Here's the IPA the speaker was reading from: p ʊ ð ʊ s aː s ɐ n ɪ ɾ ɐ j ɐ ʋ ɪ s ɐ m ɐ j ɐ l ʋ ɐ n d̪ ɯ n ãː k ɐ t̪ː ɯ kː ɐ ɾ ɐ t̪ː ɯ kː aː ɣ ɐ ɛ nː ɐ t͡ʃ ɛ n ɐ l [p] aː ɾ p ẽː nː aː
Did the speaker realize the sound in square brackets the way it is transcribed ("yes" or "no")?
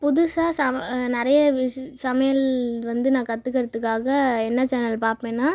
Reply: yes